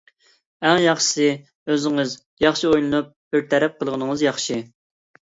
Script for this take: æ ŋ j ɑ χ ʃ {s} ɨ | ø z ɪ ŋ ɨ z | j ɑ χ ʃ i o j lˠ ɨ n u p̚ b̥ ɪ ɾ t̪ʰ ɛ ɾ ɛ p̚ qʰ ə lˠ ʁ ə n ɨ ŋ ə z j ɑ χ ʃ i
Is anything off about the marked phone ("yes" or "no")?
no